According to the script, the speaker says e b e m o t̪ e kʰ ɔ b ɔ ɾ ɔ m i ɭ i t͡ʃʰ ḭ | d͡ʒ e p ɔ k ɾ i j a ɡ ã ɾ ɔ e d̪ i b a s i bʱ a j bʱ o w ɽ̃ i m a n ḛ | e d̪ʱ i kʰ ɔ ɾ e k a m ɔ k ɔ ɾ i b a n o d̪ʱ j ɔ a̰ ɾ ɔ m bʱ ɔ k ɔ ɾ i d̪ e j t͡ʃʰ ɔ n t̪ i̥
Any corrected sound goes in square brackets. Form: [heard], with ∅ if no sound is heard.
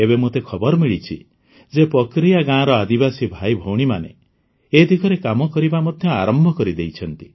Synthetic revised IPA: e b e m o t̪ e kʰ ɔ b ɔ ɾ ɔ m i ɭ i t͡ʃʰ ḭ | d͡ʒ e p ɔ k ɾ i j a ɡ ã ɾ ɔ [a] d̪ i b a s i bʱ a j bʱ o w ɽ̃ i m a n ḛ | e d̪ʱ i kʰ ɔ ɾ e k a m ɔ k ɔ ɾ i b a [m] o d̪ʱ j ɔ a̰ ɾ ɔ m bʱ ɔ k ɔ ɾ i d̪ e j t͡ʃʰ ɔ n t̪ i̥